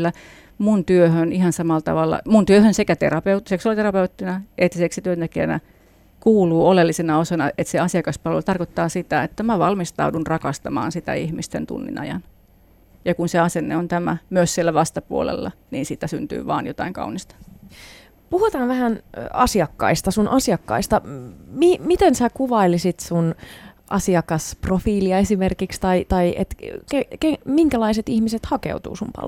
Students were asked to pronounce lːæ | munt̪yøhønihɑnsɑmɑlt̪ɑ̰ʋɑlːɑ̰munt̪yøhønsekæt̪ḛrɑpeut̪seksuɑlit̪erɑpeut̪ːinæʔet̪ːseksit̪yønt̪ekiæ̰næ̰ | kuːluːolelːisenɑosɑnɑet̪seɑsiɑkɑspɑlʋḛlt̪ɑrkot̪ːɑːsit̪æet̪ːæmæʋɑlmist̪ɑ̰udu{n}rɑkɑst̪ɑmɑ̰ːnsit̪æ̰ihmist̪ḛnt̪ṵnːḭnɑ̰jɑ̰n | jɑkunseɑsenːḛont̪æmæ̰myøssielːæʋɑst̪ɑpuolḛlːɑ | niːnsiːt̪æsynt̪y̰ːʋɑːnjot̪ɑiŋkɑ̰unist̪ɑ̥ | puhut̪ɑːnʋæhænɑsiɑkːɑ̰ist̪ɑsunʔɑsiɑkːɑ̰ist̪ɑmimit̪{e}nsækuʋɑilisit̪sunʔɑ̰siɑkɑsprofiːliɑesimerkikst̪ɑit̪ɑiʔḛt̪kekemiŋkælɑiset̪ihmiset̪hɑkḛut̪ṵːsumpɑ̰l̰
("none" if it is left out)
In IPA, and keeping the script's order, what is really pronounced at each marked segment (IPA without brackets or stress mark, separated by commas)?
n, e